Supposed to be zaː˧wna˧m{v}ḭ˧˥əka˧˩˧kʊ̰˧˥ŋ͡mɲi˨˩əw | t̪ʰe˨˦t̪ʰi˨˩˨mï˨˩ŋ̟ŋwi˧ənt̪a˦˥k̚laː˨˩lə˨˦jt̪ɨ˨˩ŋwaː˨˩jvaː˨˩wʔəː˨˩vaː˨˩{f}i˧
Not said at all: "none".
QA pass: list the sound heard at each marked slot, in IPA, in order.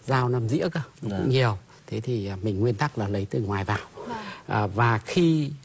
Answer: z, x

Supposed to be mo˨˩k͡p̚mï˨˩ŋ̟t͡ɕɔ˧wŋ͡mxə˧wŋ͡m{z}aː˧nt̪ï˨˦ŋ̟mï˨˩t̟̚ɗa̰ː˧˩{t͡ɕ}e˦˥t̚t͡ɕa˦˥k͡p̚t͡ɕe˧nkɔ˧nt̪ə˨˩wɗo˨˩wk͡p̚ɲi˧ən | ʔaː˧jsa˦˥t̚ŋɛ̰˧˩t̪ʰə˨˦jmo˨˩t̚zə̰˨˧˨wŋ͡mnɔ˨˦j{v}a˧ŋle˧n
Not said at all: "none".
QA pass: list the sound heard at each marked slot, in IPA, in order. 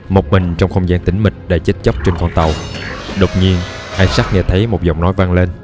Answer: z, t͡ɕ, v

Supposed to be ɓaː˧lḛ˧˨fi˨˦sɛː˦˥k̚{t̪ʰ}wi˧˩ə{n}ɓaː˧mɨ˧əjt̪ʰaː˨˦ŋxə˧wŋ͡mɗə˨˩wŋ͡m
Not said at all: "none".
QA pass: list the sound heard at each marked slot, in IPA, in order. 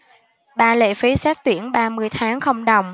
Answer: t̪, n

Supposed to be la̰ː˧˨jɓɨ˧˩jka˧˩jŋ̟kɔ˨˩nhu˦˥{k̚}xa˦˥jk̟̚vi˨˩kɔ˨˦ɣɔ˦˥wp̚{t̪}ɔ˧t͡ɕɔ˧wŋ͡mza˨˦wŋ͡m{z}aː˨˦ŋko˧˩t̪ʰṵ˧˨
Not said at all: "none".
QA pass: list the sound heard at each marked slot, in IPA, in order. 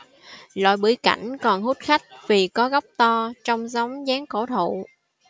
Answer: t̚, t̪, z

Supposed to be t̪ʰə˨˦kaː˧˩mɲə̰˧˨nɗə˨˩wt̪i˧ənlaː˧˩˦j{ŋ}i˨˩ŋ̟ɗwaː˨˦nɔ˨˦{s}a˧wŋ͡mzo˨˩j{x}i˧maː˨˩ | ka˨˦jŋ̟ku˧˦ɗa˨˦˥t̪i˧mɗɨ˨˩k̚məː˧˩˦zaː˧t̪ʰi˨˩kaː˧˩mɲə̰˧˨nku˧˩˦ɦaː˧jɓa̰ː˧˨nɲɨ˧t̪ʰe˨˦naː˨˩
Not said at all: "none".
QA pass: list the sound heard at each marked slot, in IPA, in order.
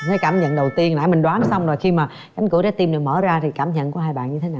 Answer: m, s, x

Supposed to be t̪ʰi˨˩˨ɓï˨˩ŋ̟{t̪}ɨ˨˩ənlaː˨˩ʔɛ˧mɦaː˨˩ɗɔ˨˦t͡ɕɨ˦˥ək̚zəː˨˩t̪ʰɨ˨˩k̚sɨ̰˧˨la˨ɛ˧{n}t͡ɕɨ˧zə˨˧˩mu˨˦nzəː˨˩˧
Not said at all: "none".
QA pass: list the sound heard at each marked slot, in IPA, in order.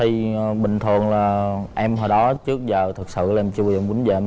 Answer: t̪ʰ, m

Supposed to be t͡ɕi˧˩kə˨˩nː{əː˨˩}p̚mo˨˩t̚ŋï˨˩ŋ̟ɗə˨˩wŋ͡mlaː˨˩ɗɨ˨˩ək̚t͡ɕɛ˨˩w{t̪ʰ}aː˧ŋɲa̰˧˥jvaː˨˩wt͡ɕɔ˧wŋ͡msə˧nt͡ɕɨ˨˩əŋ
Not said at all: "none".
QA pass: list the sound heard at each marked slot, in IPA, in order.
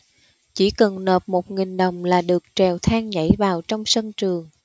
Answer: əː˨˩, t̪ʰ

